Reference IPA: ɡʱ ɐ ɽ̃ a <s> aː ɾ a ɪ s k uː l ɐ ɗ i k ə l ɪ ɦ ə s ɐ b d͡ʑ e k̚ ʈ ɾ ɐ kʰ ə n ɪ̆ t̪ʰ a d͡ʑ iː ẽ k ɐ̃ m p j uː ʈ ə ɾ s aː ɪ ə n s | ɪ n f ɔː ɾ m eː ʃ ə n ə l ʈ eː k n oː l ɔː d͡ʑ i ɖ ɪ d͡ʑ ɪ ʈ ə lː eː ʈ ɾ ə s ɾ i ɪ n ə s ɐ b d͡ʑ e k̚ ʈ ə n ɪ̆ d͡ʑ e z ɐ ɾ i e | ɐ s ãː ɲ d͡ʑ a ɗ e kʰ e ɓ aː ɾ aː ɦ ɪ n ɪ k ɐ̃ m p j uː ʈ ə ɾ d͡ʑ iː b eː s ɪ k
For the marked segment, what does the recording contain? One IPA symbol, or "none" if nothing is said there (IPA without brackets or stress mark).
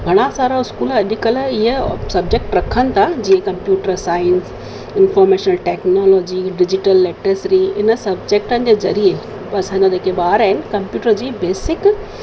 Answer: s